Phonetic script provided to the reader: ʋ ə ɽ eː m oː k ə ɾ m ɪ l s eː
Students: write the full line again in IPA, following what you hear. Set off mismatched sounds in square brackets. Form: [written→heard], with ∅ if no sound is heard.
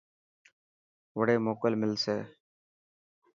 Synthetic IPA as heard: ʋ ə ɽ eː m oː k ə [ɾ→l] m ɪ l s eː